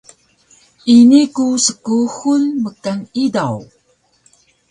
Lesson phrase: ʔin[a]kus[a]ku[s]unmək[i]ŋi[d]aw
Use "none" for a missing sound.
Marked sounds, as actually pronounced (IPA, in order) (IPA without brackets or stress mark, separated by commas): i, ə, x, a, d